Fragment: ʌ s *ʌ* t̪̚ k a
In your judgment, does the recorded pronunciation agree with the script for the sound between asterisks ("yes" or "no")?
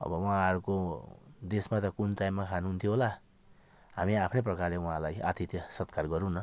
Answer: yes